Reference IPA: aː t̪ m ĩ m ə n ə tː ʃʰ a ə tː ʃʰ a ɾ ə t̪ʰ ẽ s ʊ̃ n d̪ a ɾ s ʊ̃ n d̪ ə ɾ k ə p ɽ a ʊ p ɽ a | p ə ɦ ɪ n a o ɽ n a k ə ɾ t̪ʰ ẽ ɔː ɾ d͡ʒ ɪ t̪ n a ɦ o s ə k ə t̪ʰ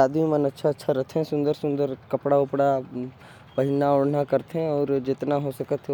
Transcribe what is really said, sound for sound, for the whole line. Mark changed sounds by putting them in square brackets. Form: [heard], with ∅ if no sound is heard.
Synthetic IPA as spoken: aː [d̪] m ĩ m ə n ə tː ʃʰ a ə tː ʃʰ a ɾ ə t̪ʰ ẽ s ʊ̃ n d̪ [ə] ɾ s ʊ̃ n d̪ ə ɾ k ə p ɽ a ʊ p ɽ a | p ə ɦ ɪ n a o ɽ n a k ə ɾ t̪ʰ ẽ ɔː ɾ d͡ʒ ɪ t̪ n a ɦ o s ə k ə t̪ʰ